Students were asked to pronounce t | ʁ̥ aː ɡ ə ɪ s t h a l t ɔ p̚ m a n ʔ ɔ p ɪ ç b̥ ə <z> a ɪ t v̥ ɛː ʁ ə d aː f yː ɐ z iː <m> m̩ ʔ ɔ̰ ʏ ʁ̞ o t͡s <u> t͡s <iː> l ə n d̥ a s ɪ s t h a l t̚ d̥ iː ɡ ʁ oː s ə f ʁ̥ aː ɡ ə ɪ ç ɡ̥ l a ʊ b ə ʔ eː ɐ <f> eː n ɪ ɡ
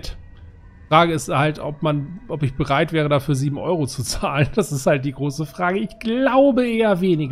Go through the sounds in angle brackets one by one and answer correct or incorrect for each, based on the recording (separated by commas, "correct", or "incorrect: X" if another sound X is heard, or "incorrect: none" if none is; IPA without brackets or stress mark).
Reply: incorrect: ʁ, incorrect: b, correct, incorrect: aː, incorrect: v